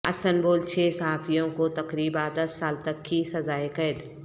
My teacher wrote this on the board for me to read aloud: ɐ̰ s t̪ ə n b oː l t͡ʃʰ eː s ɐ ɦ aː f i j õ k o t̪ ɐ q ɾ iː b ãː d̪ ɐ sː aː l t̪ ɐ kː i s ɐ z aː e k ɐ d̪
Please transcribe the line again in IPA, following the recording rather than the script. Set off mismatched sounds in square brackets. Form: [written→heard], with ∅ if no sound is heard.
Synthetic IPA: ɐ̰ s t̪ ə n b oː l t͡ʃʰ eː s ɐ ɦ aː f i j õ k o t̪ ɐ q ɾ iː b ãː d̪ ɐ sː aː l t̪ ɐ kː i s ɐ z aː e k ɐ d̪